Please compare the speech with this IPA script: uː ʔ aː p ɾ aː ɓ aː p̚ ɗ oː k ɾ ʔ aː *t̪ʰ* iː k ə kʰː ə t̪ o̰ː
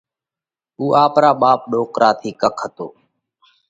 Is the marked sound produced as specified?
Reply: yes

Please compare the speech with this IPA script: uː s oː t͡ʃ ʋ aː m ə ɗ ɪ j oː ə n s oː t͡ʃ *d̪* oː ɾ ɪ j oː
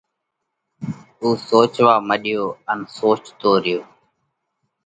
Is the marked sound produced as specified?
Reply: no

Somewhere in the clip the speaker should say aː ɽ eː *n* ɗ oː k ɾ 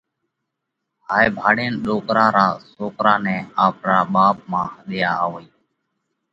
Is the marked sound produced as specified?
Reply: yes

